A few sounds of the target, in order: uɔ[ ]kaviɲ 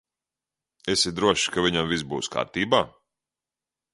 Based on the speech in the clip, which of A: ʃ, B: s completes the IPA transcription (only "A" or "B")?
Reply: A